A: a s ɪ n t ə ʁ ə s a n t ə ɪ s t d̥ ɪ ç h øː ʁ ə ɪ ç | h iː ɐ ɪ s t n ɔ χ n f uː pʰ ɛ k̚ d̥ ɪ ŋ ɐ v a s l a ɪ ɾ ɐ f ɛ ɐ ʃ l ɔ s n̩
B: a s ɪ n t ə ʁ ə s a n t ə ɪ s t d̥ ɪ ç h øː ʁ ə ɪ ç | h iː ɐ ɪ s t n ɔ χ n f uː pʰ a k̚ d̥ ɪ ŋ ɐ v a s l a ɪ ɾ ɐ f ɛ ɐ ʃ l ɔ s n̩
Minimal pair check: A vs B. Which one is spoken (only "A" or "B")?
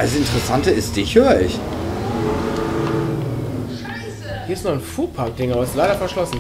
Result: B